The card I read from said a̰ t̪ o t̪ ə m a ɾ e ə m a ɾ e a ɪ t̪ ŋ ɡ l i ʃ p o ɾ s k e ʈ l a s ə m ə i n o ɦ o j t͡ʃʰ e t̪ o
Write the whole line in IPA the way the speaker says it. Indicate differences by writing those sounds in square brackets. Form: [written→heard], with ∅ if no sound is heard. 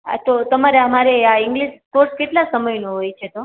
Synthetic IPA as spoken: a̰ t̪ o t̪ ə m a ɾ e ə m a ɾ e a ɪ [t̪→∅] ŋ ɡ l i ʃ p o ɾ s k e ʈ l a s ə m ə [i→j] n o ɦ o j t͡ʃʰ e t̪ o